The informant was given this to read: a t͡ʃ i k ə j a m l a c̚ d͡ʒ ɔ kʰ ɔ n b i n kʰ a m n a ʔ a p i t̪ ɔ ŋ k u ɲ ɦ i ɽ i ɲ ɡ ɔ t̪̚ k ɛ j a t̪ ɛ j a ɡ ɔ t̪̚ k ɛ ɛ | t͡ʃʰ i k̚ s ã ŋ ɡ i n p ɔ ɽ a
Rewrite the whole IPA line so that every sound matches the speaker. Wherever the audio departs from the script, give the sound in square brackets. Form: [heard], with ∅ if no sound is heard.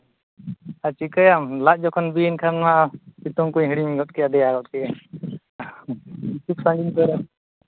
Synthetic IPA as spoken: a t͡ʃ i k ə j a m l a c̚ d͡ʒ ɔ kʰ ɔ n b i n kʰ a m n a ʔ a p i t̪ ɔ ŋ k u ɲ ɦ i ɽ i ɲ ɡ ɔ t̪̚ k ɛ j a [d̪] ɛ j a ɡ ɔ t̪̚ k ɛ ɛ | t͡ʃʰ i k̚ s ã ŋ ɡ i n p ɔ [ɾ] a